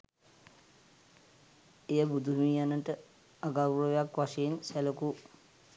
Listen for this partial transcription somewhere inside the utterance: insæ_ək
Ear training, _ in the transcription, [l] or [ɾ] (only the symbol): l